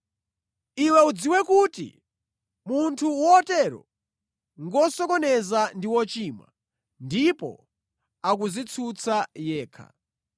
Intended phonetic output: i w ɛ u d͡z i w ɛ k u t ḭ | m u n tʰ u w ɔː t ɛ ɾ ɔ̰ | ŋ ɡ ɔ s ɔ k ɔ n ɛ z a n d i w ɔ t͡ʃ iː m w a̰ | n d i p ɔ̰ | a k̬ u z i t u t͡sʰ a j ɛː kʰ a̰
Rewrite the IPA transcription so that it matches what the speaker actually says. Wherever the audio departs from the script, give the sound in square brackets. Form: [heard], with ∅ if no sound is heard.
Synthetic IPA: i w ɛ u d͡z i w ɛ k u t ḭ | m u n tʰ u w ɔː t ɛ ɾ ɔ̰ | ŋ ɡ ɔ s ɔ k ɔ n ɛ z a n d i w ɔ t͡ʃ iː m w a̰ | n d i p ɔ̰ | a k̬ u z i [t͡sʰ] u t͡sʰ a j ɛː kʰ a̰